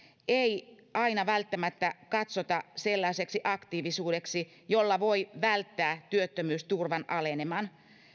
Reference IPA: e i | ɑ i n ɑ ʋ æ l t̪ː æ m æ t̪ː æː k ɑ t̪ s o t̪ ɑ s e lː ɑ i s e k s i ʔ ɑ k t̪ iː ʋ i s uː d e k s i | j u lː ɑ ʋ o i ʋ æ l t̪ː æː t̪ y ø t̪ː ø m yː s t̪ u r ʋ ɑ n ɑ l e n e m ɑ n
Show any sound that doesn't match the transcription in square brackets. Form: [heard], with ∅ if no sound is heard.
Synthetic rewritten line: e i | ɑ i n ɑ ʋ æ l t̪ː æ m æ t̪ː [æ] k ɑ t̪ s o t̪ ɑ s e lː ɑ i s e k s i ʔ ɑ k t̪ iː ʋ i s uː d e k s i | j [o] lː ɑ ʋ o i ʋ æ l t̪ː æː t̪ y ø t̪ː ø m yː s t̪ u r ʋ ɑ n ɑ l e n e m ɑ n